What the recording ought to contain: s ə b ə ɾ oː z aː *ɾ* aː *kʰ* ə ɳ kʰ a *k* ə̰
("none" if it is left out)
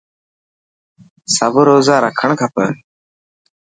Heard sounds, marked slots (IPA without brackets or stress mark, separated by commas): ɾ, kʰ, p